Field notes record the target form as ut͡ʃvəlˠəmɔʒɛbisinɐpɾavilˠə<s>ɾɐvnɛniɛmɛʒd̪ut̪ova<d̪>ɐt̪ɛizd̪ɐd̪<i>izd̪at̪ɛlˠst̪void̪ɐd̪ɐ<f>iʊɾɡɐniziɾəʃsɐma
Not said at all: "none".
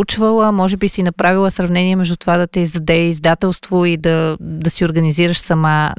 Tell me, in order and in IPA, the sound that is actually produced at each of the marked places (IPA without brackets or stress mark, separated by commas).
s, d̪, ɛ, s